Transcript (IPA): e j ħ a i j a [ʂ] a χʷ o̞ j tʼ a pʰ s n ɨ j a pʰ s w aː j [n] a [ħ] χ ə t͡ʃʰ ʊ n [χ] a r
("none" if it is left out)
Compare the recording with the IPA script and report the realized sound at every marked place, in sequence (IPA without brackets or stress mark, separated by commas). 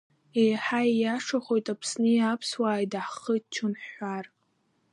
ʂ, d, ħ, ħ